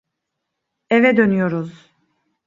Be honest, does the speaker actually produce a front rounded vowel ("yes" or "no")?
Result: yes